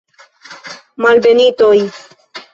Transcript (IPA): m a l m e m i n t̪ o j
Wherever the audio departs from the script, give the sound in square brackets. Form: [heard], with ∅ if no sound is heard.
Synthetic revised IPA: m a l [b] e [n] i [∅] t̪ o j